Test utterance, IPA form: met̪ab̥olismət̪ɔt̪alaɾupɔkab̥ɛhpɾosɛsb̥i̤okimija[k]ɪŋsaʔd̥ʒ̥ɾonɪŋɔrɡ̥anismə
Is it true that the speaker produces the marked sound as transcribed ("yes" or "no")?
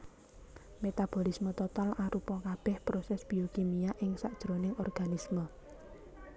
no